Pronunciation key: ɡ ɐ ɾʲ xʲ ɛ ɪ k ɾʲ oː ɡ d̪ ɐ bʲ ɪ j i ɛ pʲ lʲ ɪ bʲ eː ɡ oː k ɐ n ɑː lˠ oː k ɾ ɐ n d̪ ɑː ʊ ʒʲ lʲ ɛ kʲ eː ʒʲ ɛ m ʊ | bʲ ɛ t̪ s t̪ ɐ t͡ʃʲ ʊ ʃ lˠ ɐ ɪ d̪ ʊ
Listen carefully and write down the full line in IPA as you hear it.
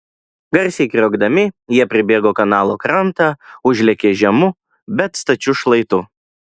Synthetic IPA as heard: ɡ ɐ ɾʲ sʲ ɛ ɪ k ɾʲ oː ɡ d̪ ɐ mʲ ɪ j i ɛ pʲ ɾʲ ɪ bʲ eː ɡ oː k ɐ n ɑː lˠ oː k ɾ ɐ n t̪ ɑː ʊ ʒʲ lʲ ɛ kʲ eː ʒʲ ɛ m ʊ | bʲ ɛ t̪ s t̪ ɐ t͡ʃʲ ʊ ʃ lˠ ɐ ɪ t̪ ʊ

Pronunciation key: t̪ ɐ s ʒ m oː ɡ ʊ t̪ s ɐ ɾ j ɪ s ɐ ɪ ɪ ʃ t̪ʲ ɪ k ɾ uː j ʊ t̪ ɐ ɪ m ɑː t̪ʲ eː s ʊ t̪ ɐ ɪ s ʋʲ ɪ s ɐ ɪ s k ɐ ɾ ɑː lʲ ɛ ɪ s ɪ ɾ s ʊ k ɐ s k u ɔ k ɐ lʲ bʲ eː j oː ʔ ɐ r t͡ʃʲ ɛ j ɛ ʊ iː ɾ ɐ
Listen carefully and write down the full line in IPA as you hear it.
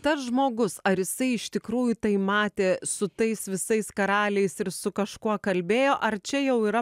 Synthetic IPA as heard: t̪ ɐ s ʒ m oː ɡ ʊ s ɐ ɾ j ɪ s ɐ ɪ ɪ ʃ t̪ʲ ɪ k ɾ uː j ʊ t̪ ɐ ɪ m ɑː t̪ʲ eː s ʊ t̪ ɐ ɪ s ʋʲ ɪ s ɐ ɪ s k ɐ ɾ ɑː lʲ ɛ ɪ s ɪ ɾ s ʊ k ɐ ʃ k u ɔ k ɐ lʲ bʲ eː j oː ʔ ɐ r t͡ʃʲ ɛ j ɛ ʊ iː ɾ ɐ

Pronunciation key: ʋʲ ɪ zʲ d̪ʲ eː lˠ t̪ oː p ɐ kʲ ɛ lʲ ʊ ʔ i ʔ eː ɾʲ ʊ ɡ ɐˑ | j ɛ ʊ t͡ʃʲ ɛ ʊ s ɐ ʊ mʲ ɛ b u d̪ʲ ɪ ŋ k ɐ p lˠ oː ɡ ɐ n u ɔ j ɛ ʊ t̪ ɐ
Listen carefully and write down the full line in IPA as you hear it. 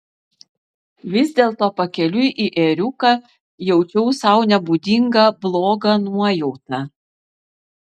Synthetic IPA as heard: ʋʲ ɪ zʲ d̪ʲ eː lˠ t̪ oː p ɐ kʲ ɛ lʲ ʊ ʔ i ʔ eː ɾʲ ʊ k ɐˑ | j ɛ ʊ t͡ʃʲ ɛ ʊ s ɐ ʊ nʲ ɛ b u d̪ʲ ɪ ŋ ɡ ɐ b lˠ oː ɡ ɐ n u ɔ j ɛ ʊ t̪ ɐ

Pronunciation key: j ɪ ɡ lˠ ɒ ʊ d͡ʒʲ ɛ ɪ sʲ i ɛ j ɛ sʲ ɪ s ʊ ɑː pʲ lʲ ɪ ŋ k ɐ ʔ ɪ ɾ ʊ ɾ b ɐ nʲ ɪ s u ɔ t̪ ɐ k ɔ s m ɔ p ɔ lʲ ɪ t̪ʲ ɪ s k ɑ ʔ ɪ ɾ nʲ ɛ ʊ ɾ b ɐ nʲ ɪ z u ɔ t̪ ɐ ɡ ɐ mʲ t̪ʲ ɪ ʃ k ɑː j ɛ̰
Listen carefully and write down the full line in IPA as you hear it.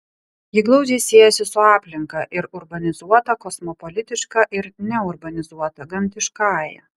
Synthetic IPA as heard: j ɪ ɡ lˠ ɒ ʊ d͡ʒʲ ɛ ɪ sʲ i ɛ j ɛ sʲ ɪ s ʊ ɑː pʲ lʲ ɪ ŋ k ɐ ʔ ɪ ɾ ʊ ɾ b ɐ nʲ ɪ z u ɔ t̪ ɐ k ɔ s m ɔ p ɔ lʲ ɪ t̪ʲ ɪ ʃ k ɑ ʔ ɪ ɾ nʲ ɛ ʊ ɾ b ɐ nʲ ɪ z u ɔ t̪ ɐ ɡ ɐ mʲ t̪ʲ ɪ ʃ k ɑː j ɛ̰

